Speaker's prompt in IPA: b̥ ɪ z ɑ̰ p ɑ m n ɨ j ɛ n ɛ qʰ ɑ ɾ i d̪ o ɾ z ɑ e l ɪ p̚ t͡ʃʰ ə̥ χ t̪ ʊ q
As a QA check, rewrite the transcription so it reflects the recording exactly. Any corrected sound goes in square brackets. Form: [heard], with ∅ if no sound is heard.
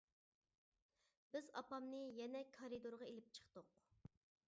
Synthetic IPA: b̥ ɪ z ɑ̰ p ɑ m n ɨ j ɛ n ɛ [kʰ] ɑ ɾ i d̪ o ɾ [ʁ] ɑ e l ɪ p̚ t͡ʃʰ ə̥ χ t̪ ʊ q